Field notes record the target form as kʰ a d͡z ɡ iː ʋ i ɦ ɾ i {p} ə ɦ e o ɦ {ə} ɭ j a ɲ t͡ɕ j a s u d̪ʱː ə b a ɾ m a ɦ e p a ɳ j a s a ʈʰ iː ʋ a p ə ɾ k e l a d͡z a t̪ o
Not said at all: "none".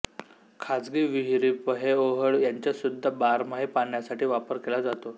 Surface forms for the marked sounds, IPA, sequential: p, ə

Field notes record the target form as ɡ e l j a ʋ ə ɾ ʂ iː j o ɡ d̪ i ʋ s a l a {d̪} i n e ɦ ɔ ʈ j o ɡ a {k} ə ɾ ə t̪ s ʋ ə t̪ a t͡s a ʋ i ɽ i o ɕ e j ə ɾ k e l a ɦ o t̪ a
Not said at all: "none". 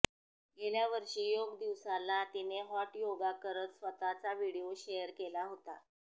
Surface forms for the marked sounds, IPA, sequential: t̪, k

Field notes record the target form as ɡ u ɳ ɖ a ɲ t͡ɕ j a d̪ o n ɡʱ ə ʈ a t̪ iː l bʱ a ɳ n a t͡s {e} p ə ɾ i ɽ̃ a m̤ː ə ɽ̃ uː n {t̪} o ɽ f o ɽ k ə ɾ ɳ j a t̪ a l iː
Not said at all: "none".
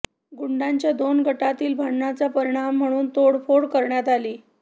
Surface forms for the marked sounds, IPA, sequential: a, t̪

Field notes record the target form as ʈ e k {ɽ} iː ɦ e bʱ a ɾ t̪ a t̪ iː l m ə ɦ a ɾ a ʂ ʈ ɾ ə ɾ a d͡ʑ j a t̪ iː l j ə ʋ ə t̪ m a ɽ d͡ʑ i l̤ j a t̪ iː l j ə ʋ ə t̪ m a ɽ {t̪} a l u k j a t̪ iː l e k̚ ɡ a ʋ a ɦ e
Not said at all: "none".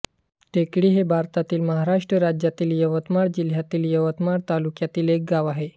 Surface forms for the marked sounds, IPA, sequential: ɽ, t̪

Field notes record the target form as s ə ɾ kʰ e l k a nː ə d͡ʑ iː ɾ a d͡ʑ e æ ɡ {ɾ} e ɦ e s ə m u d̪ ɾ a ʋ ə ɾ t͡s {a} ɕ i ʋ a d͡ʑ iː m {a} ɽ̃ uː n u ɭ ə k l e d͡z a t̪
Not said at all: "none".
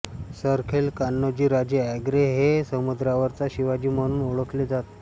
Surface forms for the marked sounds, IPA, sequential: ɾ, a, ə

